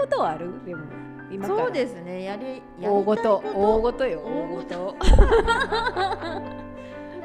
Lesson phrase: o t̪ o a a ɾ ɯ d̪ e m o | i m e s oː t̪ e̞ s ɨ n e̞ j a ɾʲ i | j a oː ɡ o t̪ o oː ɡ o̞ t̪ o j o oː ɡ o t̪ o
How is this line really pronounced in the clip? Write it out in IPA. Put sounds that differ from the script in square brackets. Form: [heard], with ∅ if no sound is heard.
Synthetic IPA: o t̪ o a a ɾ ɯ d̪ e m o | i m [a] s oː [d̪] e̞ s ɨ n e̞ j a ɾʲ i | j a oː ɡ o t̪ o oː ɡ o̞ t̪ o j o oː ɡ o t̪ o